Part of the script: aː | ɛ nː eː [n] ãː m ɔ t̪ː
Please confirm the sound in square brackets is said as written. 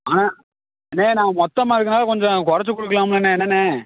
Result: yes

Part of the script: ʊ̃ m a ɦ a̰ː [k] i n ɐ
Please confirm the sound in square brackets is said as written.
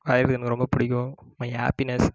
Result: no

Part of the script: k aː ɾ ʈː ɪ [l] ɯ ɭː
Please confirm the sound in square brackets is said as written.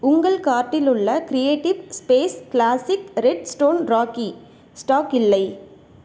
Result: yes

